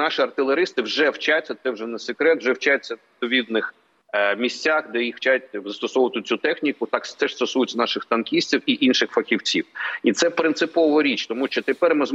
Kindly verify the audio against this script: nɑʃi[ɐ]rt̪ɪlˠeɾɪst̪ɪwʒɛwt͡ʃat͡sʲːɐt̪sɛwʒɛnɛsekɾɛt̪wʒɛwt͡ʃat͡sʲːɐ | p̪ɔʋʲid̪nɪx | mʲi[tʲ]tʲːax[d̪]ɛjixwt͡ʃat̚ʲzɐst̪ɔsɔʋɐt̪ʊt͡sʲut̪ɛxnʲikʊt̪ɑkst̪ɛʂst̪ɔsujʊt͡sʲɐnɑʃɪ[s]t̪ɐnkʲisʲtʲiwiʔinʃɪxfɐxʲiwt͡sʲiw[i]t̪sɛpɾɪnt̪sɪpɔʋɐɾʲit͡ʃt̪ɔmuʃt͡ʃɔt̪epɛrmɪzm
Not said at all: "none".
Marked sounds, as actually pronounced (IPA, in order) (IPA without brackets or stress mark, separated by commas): ɐ, sʲ, d̪, x, i